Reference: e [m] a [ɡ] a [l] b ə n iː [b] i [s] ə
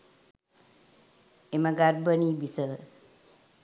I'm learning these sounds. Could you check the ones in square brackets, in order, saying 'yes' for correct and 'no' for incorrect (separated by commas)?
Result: yes, yes, no, yes, yes